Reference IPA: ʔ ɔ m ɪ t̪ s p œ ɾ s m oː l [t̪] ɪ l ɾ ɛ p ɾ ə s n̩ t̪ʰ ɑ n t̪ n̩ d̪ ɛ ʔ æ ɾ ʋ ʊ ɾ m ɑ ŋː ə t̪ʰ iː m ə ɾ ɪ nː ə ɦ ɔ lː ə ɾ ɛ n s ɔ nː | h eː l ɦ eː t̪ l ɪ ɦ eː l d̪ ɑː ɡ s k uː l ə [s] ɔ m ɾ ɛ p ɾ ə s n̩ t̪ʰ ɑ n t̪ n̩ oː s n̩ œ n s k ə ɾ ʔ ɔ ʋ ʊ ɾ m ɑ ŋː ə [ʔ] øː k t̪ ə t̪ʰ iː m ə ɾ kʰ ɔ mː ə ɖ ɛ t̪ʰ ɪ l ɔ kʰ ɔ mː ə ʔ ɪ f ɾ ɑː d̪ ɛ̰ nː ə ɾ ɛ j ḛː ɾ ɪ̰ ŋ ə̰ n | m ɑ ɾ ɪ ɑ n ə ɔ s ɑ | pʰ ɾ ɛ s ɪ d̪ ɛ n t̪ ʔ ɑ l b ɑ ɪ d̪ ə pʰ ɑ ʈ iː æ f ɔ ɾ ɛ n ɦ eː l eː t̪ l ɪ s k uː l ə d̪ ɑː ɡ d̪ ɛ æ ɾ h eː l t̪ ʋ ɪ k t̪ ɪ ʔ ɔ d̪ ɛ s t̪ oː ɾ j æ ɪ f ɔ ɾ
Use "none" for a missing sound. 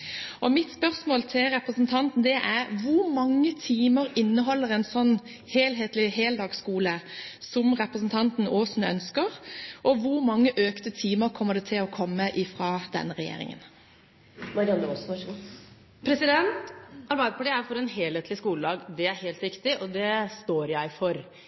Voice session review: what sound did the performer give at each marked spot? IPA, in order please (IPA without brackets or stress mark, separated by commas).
t̪ʰ, s, ʔ